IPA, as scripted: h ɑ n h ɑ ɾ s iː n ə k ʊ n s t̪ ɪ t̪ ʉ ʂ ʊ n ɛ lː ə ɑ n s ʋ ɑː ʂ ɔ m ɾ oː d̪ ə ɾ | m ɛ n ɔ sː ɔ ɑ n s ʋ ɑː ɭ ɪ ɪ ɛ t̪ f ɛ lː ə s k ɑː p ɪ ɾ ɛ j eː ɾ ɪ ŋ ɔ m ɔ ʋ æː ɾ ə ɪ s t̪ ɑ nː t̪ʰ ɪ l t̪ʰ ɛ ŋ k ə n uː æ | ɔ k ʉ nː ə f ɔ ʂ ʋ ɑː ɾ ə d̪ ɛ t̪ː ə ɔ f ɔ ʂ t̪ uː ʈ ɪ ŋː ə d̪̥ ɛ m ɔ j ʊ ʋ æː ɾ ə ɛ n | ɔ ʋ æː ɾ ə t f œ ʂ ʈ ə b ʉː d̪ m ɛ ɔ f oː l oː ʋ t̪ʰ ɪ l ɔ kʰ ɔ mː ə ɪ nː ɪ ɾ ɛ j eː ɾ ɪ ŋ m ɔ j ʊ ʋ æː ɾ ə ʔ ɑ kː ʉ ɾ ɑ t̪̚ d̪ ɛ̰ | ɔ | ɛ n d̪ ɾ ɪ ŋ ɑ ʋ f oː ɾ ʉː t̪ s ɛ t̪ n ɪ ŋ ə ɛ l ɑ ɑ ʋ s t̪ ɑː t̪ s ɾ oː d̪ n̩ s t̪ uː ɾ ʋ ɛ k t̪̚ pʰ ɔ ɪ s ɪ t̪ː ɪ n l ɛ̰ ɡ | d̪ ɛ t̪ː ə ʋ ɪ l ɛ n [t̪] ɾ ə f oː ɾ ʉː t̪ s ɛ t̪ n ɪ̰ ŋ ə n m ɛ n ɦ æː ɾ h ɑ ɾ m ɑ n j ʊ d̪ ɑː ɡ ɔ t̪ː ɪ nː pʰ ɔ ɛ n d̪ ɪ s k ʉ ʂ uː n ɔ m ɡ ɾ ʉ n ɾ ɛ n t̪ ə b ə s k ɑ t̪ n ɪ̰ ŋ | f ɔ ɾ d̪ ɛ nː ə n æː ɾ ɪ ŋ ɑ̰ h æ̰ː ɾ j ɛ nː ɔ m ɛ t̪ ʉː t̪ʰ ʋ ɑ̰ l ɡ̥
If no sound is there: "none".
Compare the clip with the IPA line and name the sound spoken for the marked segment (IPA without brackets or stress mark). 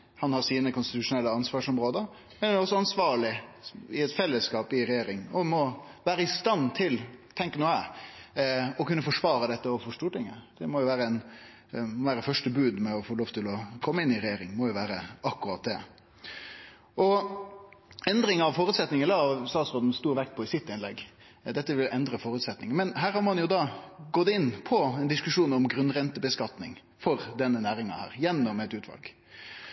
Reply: d̪